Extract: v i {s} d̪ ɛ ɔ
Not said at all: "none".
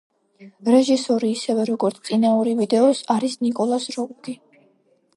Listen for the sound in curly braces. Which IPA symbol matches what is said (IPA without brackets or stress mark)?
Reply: none